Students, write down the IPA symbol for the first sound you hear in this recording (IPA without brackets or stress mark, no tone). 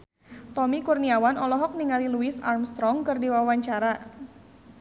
t̪